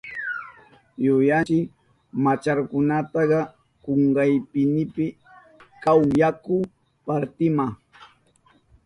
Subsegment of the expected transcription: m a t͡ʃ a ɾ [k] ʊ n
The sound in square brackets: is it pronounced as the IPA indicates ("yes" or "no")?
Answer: yes